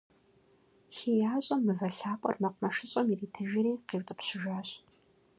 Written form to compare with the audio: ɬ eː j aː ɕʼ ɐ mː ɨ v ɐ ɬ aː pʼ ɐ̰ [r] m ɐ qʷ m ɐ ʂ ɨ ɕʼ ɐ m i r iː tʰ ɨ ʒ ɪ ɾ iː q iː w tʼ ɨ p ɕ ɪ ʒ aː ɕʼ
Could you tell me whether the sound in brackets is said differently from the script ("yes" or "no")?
no